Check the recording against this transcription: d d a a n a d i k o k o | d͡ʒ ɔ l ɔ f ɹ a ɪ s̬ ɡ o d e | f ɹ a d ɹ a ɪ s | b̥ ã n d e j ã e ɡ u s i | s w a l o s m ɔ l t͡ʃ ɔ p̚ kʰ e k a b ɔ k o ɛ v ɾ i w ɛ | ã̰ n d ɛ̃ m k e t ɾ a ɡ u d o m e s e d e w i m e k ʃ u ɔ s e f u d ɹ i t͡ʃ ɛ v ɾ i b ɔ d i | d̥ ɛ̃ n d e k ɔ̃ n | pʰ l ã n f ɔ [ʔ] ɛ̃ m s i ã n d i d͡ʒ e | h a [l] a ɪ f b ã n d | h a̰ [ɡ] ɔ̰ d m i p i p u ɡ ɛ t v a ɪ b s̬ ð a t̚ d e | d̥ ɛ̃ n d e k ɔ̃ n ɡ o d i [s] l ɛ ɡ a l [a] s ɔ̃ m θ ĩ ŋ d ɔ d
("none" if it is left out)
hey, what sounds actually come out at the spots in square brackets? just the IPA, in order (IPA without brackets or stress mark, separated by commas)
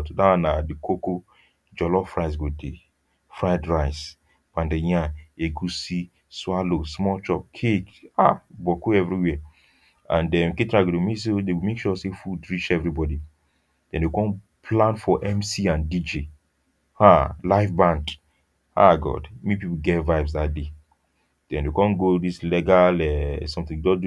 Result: ʔ, l, ɡ, s, ɛ